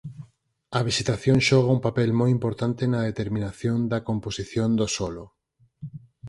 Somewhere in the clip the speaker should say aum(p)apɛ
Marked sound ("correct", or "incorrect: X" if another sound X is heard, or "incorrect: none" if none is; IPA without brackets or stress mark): correct